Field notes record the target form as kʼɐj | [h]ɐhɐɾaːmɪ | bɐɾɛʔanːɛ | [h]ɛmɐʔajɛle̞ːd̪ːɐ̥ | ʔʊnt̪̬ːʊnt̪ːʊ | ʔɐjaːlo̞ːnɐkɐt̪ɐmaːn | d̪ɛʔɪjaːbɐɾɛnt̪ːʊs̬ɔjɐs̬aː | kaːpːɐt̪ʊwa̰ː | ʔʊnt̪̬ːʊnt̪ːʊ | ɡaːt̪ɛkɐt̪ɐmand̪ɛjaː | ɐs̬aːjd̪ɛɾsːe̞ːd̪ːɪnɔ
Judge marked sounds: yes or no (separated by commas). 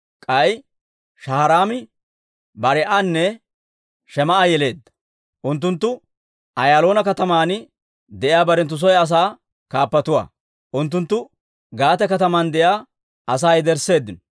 no, no